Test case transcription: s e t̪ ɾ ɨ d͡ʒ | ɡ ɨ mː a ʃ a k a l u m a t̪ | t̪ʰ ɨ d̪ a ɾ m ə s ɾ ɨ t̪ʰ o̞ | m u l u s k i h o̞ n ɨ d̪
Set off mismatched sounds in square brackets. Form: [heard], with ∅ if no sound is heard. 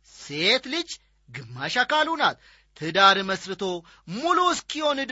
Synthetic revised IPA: s e t̪ [l] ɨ d͡ʒ | ɡ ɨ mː a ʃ a k a l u [n] a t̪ | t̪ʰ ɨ d̪ a ɾ m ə s ɾ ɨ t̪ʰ o̞ | m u l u s k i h o̞ n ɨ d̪